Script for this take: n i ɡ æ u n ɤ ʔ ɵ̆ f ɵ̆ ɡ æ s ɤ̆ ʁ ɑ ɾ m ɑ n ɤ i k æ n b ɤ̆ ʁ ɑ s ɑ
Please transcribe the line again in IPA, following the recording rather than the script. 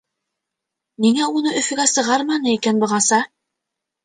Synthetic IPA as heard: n i ŋ æ u n ɤ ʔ ɵ̆ f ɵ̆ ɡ æ s ɤ̆ ʁ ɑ ɾ m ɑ n ɤ i k æ n b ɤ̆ ʁ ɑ s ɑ